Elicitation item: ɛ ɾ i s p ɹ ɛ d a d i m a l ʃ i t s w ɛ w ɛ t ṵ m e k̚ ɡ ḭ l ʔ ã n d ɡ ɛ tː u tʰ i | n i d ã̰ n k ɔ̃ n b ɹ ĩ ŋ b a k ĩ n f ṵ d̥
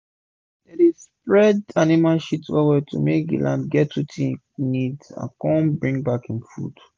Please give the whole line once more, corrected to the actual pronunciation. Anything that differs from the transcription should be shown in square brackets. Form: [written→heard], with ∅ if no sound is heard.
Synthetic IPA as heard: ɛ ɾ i s p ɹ ɛ d a [d→n] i m a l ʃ i t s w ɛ w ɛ t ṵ m e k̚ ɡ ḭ l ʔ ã n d ɡ ɛ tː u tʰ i | n i d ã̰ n k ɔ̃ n b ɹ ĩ ŋ b a k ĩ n f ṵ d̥